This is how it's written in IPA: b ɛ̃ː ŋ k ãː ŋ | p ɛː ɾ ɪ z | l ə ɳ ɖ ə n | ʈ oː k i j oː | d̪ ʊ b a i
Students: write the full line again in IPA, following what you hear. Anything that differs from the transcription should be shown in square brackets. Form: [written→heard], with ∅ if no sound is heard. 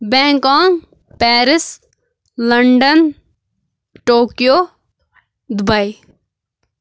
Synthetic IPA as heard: b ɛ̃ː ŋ k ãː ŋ | p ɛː ɾ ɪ [z→s] | l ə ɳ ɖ ə n | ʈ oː k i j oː | d̪ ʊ b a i

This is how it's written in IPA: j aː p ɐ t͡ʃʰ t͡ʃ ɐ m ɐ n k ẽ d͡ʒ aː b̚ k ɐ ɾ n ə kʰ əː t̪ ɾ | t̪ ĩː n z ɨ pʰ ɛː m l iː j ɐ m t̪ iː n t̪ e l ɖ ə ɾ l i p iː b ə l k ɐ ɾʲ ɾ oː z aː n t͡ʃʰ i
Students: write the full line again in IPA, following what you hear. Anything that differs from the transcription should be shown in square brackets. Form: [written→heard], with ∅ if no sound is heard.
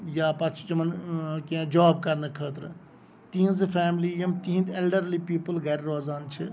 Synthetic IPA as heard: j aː p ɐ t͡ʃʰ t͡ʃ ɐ m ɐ n k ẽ d͡ʒ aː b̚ k ɐ ɾ n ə kʰ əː t̪ ɾ | t̪ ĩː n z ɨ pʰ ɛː m l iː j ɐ m t̪ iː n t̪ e l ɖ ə ɾ l i p iː [b→p] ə l [k→ɡ] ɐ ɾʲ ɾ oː z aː n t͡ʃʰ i

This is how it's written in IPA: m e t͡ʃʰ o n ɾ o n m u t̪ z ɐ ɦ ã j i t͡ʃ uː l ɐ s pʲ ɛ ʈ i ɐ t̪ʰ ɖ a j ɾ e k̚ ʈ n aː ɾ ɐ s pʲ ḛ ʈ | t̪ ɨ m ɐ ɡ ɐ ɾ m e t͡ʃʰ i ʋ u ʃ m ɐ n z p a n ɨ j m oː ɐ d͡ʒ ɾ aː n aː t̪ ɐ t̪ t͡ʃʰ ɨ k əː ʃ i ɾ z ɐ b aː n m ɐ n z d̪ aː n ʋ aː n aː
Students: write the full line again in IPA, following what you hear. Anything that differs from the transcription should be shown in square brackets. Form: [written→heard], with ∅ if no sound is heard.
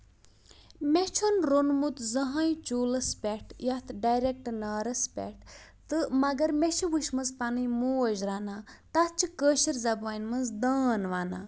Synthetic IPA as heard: m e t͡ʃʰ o n ɾ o n m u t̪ z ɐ ɦ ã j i t͡ʃ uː l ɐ s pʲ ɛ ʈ [i→j] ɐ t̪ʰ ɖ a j ɾ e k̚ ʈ n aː ɾ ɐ s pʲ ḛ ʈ | t̪ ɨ m ɐ ɡ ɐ ɾ m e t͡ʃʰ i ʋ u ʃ m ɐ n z p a n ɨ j m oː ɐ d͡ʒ ɾ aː n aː t̪ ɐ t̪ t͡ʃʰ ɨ k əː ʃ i ɾ z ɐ b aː n m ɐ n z d̪ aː n ʋ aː n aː

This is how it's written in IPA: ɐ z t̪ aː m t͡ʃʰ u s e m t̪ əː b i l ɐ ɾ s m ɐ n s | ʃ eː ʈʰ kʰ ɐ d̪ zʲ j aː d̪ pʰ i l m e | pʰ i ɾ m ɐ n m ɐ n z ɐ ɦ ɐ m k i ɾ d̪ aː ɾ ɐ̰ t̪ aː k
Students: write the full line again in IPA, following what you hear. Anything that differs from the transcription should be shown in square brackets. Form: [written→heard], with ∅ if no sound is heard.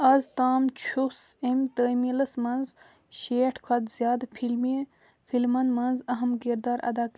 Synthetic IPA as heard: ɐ z t̪ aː m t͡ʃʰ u s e m t̪ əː [b→m] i l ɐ [ɾ→∅] s m ɐ n [s→z] | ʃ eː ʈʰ kʰ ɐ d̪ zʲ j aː d̪ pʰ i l m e | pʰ i [ɾ→l] m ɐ n m ɐ n z ɐ ɦ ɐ m k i ɾ d̪ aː ɾ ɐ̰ [t̪→d̪] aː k

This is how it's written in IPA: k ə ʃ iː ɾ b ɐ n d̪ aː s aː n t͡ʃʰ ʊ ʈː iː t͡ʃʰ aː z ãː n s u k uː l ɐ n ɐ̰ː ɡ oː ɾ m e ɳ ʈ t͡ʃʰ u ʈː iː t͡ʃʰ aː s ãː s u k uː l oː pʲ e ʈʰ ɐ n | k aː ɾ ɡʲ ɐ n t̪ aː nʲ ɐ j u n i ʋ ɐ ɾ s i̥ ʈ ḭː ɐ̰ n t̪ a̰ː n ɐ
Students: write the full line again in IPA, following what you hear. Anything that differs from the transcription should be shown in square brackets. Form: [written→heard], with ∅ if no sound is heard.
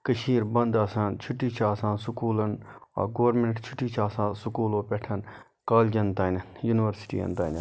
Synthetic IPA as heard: k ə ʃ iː ɾ b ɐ n d̪ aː s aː n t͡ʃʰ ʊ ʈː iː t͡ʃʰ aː [z→s] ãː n s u k uː l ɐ n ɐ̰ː ɡ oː ɾ m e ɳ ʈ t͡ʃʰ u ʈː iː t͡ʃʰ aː s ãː s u k uː l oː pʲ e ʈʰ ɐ n | k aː [ɾ→l] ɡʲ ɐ n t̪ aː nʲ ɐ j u n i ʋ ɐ ɾ s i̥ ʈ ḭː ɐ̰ n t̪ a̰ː n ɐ

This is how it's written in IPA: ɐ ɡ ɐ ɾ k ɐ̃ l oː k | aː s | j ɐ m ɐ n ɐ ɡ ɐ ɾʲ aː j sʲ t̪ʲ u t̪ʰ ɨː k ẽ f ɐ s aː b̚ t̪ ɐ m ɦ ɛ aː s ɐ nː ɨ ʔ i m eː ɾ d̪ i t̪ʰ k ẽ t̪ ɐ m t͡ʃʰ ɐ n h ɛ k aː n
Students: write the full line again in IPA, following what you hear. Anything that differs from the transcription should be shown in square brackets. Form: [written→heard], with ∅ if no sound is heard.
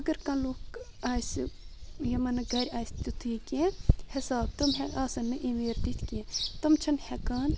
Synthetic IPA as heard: ɐ ɡ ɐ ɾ k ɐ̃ l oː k | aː s | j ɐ m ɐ n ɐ ɡ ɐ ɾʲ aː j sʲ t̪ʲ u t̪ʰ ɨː k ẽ [f→h] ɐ s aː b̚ t̪ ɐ m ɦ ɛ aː s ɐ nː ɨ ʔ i m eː ɾ d̪ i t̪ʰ k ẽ t̪ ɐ m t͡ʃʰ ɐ n h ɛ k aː n

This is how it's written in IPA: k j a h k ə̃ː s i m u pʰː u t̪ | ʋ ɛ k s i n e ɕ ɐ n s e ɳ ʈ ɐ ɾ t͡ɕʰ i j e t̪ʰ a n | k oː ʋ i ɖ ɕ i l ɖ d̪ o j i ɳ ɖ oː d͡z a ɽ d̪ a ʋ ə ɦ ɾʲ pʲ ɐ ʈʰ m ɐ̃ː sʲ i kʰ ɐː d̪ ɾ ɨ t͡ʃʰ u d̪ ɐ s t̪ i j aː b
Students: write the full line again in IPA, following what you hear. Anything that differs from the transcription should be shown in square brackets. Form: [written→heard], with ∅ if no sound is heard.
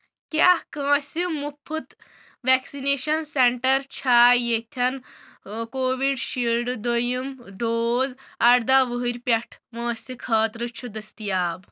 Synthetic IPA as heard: k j a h k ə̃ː s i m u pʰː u t̪ | ʋ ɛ k s i n e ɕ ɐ n s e ɳ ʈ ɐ ɾ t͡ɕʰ [i→a] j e t̪ʰ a n | k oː ʋ i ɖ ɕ i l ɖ d̪ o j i [ɳ→m] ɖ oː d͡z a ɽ d̪ a ʋ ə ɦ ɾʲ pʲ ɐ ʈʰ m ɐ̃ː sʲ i kʰ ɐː [d̪→t̪] ɾ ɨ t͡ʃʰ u d̪ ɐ s t̪ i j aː b

